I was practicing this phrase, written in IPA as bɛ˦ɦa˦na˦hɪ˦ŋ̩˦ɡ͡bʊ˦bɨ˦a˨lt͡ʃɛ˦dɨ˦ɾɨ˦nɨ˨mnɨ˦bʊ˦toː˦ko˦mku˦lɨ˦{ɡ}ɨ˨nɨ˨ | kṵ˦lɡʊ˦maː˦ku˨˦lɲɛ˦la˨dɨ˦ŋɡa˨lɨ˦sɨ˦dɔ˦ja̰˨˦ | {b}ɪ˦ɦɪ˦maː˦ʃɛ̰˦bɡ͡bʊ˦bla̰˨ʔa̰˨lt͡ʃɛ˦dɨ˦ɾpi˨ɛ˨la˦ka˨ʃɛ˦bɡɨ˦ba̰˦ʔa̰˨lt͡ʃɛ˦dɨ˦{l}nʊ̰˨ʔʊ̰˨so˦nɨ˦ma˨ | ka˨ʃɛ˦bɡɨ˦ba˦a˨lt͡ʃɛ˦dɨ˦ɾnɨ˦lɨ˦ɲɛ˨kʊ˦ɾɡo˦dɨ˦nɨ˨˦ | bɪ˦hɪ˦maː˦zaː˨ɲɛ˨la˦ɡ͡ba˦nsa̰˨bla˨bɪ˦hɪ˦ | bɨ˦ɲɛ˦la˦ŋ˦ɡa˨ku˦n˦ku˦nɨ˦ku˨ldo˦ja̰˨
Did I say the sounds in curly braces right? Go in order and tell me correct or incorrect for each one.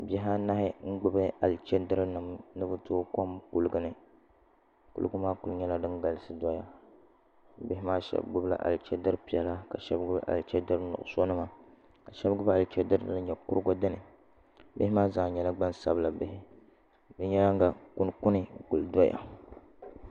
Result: correct, correct, incorrect: ɾ

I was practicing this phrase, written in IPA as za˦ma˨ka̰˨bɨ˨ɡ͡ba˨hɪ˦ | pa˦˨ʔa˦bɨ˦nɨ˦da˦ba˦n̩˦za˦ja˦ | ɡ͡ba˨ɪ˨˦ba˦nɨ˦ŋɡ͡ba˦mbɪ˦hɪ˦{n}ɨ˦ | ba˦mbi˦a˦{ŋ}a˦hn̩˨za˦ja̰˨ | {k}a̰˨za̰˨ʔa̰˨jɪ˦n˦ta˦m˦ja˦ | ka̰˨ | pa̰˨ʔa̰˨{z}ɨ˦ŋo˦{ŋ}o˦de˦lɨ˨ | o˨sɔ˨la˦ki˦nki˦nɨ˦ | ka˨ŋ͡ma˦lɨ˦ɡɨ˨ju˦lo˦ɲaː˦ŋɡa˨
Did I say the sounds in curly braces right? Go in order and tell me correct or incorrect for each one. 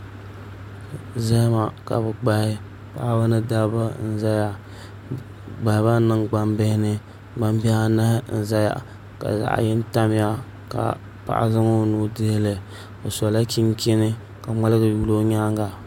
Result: correct, incorrect: n, correct, correct, incorrect: n

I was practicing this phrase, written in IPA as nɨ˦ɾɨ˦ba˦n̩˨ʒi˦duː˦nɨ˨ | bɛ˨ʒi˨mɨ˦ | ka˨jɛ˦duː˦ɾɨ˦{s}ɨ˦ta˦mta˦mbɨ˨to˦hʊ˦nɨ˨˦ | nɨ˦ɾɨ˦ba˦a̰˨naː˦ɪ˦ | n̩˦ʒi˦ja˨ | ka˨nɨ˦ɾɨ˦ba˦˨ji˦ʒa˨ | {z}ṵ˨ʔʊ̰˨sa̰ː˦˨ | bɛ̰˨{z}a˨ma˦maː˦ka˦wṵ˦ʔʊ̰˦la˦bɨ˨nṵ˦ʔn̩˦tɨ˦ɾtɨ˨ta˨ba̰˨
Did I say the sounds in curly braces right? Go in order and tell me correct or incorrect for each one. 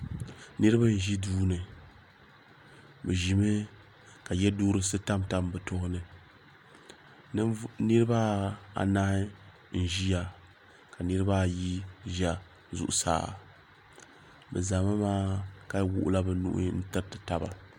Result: correct, correct, correct

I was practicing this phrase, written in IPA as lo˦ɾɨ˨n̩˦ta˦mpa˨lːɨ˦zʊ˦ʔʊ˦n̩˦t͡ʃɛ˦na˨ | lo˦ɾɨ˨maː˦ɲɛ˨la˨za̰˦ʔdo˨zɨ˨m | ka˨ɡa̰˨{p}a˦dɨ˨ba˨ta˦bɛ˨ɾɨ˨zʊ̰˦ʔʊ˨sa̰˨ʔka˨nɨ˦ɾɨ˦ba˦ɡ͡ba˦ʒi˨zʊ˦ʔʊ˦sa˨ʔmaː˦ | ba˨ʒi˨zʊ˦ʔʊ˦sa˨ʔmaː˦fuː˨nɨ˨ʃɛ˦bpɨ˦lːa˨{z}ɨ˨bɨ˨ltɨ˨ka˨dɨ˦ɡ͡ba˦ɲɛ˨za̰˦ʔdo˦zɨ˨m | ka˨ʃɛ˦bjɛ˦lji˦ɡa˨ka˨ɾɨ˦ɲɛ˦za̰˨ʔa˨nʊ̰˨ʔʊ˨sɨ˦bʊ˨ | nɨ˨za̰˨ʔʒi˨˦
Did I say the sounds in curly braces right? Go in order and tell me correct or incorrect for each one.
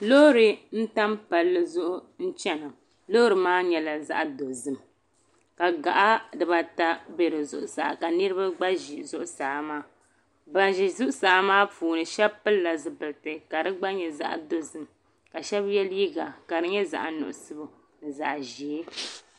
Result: incorrect: ʔ, correct

